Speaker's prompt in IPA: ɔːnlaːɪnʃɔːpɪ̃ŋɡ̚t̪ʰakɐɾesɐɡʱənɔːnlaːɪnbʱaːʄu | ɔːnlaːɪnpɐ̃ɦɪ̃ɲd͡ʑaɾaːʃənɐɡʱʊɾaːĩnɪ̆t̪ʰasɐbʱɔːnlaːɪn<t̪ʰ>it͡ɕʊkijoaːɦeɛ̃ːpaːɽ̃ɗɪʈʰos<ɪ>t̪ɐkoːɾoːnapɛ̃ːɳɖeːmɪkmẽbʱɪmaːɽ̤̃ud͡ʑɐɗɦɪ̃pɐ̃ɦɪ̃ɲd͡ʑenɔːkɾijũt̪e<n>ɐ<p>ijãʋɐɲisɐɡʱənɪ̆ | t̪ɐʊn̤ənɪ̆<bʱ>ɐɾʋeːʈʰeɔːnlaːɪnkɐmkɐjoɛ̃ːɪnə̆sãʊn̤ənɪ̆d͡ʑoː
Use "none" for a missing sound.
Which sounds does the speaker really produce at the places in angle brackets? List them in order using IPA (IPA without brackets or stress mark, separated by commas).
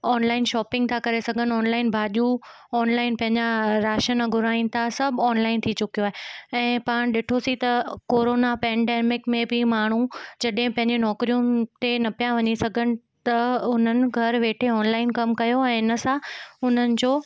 t̪ʰ, i, n, p, ɡʱ